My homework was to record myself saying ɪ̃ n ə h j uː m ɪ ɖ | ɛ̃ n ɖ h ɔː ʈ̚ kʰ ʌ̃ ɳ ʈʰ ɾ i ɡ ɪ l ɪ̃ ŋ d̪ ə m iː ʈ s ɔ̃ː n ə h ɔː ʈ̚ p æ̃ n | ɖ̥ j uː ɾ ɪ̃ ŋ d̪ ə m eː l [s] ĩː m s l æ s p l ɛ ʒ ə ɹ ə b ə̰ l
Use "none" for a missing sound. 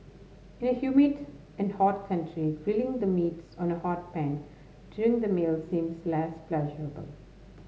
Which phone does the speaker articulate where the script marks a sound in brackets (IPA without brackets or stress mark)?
s